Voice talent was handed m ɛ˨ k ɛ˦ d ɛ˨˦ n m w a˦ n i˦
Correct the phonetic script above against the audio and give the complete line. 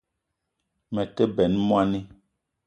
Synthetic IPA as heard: m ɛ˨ t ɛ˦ b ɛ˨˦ n m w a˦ n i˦

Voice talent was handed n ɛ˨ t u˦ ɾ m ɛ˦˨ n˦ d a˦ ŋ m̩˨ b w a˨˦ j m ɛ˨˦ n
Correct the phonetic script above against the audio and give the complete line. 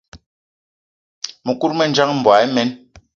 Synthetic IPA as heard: m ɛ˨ k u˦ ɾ m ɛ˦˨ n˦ d͡ʒ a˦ ŋ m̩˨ b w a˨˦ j m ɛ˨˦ n

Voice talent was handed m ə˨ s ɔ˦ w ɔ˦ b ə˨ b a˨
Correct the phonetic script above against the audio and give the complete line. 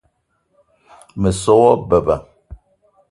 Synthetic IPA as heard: m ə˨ s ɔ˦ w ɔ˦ b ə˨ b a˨

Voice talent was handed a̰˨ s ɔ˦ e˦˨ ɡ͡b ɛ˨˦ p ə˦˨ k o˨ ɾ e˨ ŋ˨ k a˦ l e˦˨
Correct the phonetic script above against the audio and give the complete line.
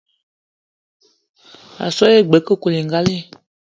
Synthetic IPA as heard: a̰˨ s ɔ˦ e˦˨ ɡ͡b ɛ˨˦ k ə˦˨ k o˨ l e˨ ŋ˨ ɡ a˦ l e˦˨

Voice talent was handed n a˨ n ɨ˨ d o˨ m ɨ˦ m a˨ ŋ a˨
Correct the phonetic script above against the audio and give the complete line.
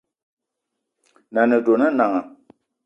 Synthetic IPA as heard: n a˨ n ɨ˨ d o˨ n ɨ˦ n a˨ ŋ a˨

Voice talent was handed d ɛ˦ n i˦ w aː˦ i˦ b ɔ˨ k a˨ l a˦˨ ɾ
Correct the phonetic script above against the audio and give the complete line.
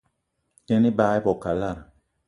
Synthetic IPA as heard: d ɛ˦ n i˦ b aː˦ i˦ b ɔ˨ k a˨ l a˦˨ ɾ

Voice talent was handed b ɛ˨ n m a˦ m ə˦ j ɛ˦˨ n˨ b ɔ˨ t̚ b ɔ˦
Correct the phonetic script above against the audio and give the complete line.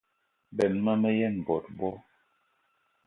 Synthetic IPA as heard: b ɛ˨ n m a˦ m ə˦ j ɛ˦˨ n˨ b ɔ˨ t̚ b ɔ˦

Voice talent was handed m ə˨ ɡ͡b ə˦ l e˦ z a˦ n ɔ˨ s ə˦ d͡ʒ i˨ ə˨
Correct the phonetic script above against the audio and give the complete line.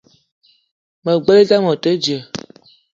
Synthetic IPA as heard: m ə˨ ɡ͡b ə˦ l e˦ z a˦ m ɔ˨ t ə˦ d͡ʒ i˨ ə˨

